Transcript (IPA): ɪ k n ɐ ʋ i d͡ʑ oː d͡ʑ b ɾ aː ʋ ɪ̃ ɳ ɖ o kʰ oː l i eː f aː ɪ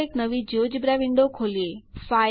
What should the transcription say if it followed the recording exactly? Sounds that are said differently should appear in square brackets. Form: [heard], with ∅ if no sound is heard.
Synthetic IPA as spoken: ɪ k n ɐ ʋ i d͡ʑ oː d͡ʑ b ɾ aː ʋ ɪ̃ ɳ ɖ o kʰ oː l i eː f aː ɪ